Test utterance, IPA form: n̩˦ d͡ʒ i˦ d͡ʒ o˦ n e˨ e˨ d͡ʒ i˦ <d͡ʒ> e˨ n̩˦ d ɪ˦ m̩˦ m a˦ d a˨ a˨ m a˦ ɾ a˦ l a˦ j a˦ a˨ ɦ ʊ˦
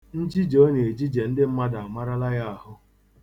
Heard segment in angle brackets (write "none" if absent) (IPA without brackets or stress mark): d͡ʒ